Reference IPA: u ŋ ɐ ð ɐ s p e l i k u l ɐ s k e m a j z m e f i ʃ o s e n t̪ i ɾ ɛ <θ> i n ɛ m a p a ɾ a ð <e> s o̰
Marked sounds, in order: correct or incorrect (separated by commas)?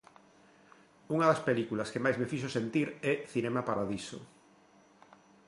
correct, incorrect